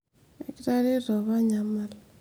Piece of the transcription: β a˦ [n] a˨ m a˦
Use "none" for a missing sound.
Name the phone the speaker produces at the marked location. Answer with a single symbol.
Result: ɲ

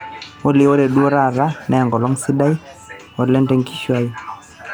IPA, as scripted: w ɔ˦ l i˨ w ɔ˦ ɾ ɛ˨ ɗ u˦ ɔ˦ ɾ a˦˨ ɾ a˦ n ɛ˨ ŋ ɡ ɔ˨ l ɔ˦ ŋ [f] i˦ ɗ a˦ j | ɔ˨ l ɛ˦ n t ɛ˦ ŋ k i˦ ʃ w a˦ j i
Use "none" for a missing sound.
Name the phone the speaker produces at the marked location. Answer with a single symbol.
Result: s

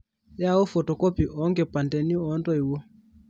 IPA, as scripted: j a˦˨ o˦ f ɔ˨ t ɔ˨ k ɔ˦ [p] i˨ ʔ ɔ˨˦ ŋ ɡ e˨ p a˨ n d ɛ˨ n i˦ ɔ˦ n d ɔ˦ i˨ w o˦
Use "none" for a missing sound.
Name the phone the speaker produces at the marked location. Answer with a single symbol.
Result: p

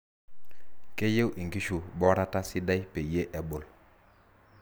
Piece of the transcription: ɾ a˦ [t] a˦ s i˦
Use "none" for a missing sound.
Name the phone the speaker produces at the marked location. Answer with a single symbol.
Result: t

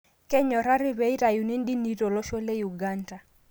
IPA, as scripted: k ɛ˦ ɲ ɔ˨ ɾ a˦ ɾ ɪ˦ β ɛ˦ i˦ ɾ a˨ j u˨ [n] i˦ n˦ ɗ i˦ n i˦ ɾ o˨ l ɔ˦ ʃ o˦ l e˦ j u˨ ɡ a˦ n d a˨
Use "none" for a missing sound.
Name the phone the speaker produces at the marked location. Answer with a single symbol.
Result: n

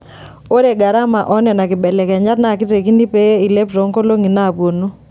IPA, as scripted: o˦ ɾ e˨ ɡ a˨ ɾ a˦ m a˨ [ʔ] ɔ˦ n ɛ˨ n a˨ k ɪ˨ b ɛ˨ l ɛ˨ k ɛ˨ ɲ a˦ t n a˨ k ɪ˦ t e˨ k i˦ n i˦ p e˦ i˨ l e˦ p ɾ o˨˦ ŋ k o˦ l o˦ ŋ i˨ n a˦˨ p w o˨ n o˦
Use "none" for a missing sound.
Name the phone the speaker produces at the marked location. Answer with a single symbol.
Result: ʔ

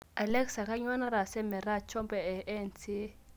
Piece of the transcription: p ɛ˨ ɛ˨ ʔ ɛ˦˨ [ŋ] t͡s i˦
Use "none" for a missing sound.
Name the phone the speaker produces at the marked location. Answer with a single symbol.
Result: n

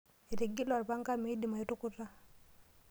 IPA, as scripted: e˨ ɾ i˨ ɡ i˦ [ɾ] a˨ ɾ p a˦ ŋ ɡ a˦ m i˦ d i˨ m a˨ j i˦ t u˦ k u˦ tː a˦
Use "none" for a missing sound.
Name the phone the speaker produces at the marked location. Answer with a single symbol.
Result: l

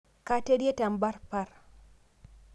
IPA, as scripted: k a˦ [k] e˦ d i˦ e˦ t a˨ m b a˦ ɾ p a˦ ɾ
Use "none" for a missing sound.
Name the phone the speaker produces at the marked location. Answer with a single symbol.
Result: t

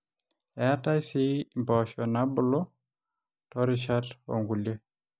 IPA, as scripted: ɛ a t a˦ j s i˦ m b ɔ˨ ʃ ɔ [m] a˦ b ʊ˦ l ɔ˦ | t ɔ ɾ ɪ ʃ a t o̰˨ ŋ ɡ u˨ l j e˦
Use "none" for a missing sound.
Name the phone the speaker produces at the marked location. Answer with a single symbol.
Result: n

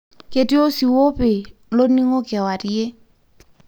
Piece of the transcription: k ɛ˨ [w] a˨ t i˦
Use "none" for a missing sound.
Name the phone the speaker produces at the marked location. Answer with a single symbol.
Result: w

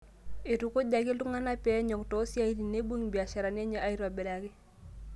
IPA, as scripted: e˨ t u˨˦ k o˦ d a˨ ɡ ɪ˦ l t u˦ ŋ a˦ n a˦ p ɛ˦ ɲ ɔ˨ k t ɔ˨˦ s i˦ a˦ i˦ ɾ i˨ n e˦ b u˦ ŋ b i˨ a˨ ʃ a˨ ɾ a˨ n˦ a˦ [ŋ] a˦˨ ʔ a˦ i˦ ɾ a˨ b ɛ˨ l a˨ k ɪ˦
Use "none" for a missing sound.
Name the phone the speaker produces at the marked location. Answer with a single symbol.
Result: ɲ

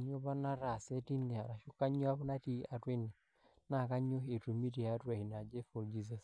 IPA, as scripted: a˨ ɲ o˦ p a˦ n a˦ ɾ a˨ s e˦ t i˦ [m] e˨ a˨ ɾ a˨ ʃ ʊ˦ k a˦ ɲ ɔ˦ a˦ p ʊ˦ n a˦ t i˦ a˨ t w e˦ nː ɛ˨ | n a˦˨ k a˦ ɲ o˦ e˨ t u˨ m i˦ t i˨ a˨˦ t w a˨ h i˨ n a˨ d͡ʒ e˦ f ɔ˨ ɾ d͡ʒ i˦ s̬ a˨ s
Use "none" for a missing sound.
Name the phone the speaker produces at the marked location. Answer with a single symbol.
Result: n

